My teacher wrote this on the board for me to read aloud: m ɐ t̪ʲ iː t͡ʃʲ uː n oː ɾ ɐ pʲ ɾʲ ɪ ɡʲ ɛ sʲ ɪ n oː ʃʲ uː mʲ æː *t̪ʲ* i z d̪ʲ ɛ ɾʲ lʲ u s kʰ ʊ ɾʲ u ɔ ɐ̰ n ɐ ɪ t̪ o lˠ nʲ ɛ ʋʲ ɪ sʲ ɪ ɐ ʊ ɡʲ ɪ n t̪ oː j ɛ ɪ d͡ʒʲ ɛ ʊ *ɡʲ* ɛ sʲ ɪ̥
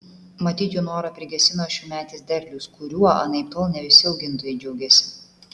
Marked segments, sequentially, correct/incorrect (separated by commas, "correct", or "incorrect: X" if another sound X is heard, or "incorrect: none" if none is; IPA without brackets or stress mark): correct, correct